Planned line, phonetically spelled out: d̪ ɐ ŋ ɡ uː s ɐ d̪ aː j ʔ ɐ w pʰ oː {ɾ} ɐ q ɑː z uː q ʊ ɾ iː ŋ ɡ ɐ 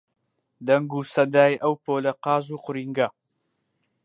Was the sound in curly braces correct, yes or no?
no